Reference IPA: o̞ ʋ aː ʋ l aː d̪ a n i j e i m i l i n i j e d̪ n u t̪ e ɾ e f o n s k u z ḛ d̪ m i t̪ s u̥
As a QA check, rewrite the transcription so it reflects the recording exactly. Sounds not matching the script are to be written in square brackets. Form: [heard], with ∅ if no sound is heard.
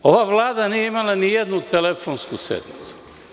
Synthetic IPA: o̞ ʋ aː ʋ l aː d̪ a n i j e i m [a] l [a] n i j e d̪ n u t̪ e [l] e f o n s k u [s] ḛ d̪ m i t̪ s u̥